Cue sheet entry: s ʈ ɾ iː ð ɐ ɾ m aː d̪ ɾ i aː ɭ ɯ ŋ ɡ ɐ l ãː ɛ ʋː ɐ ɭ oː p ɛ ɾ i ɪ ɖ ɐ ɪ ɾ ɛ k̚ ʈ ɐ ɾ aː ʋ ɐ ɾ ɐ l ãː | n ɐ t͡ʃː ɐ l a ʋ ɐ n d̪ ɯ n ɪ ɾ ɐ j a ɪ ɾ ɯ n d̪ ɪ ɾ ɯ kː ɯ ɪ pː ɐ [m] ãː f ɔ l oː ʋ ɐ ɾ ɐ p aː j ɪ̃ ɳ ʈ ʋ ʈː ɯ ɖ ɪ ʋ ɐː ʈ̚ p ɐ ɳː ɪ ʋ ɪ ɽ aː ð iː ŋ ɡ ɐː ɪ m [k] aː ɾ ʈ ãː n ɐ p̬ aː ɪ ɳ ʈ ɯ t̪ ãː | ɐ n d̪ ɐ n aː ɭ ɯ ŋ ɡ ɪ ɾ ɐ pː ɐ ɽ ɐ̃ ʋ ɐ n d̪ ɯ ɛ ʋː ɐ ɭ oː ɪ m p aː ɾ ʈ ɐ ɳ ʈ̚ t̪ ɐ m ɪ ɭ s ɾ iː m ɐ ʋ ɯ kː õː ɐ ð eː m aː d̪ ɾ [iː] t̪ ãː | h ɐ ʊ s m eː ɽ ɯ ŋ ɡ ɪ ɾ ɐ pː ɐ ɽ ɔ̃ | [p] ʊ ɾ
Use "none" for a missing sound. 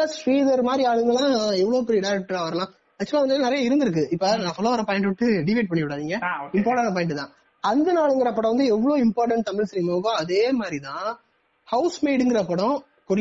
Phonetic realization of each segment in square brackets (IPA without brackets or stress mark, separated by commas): n, p, i, k